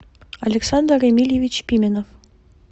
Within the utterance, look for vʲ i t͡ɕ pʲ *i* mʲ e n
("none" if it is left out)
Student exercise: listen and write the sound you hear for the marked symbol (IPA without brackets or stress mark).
i